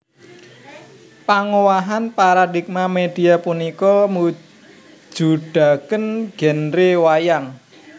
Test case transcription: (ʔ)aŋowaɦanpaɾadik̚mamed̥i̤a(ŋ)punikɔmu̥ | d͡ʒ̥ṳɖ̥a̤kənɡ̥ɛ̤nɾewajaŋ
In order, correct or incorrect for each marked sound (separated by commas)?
incorrect, incorrect